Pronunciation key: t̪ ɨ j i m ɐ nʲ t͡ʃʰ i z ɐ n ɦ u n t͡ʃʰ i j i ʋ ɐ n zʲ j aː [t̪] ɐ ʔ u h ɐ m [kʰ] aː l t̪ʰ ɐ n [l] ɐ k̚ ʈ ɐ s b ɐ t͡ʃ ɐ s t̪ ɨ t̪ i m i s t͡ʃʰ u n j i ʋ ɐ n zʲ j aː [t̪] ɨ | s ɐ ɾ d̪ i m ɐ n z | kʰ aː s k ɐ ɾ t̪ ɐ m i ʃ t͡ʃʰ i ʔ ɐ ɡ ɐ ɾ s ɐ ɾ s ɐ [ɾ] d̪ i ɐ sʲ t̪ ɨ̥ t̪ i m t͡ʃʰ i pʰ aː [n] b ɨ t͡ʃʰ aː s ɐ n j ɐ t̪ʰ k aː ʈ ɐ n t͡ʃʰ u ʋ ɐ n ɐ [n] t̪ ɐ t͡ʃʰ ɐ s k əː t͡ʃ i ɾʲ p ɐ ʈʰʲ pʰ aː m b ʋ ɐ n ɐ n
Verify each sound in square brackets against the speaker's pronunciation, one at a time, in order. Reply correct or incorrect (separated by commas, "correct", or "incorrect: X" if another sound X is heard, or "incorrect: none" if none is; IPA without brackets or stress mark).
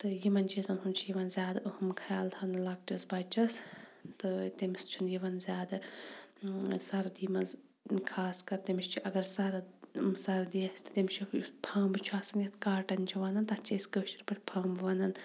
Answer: incorrect: d̪, correct, correct, incorrect: d̪, correct, incorrect: m, correct